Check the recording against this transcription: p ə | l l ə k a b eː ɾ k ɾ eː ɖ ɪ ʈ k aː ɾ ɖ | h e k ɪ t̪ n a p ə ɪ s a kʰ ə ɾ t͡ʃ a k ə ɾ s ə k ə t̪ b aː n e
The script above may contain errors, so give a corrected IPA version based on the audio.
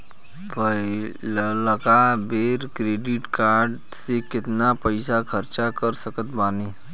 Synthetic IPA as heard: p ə | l l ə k a b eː ɾ k ɾ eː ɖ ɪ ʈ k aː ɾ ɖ | s e k ɪ t̪ n a p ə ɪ s a kʰ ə ɾ t͡ʃ a k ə ɾ s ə k ə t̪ b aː n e